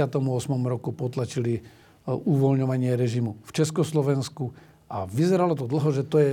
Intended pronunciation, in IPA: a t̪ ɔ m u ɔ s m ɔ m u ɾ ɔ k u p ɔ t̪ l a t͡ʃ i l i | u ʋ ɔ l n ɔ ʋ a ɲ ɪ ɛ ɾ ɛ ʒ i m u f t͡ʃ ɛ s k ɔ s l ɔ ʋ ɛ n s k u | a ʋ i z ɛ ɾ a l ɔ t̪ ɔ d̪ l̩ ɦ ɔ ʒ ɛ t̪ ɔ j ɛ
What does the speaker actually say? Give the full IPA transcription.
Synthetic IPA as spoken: a t̪ ɔ m u ɔ s m ɔ m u ɾ ɔ k u p ɔ t̪ l a t͡ʃ i l i | u ʋ ɔ l ɲ ɔ ʋ a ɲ ɪ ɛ ɾ ɛ ʒ i m u f t͡ʃ ɛ s k ɔ s l ɔ ʋ ɛ n s k u | a ʋ i z ɛ ɾ a l ɔ t̪ ɔ d̪ l̩ ɦ ɔ ʒ ɛ t̪ ɔ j ɛ